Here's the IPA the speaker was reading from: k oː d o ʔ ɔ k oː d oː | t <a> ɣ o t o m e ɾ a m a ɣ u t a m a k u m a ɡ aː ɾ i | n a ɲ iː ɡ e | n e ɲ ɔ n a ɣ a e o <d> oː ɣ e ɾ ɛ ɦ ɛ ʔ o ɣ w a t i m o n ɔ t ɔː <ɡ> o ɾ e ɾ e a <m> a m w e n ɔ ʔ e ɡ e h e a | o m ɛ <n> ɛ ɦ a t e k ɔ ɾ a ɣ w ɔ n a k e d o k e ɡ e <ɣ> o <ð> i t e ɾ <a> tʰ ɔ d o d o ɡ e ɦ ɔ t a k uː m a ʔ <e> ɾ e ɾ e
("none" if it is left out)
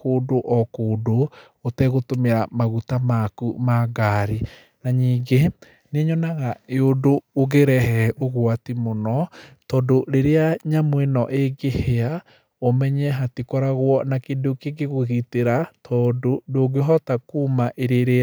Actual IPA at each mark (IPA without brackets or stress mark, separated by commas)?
ɛ, d, d, ɲ, ɲ, ɣ, ɣ, a, e